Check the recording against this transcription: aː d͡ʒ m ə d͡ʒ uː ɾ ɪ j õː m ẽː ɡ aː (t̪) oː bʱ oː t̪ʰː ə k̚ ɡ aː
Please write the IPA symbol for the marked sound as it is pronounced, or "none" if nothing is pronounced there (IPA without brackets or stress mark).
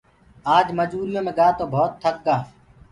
t̪